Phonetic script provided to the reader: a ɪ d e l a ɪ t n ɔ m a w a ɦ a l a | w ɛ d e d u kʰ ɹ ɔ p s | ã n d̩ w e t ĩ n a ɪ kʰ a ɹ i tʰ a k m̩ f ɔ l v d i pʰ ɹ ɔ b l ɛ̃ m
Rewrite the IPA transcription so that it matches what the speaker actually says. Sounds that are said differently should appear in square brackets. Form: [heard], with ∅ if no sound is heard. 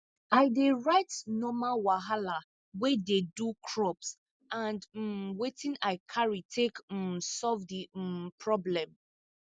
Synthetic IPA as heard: a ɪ d e [ɹ] a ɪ t n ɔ m a w a ɦ a l a | w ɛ d e d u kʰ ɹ ɔ p s | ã n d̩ w e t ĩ n a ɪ kʰ a ɹ i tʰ [e] k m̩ [s] ɔ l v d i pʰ ɹ ɔ b l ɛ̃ m